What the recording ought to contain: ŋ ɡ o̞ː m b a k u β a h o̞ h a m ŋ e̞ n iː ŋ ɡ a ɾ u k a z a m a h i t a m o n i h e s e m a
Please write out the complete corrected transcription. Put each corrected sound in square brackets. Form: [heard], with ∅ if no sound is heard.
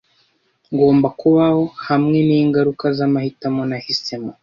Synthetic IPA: ŋ ɡ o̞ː m b a k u β a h o̞ h a m ŋ e̞ n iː ŋ ɡ a ɾ u k a z a m a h i t a m o n [a] h [i] s e m a